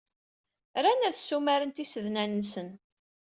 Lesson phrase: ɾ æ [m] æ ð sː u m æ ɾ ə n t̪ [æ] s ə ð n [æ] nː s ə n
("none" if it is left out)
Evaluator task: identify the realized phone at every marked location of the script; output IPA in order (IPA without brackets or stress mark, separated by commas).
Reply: n, i, æ